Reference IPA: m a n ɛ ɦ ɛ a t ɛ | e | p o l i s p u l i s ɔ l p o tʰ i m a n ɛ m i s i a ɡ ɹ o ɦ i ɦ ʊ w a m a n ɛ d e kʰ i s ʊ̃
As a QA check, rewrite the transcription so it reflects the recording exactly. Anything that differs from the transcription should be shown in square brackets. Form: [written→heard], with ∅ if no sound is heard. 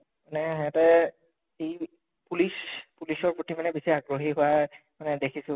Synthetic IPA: m a n ɛ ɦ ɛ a t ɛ | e | p [o→u] l i s p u l i s ɔ [l→ɹ] p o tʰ i m a n ɛ [m→b] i s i a ɡ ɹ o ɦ i ɦ ʊ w a m a n ɛ d e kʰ i s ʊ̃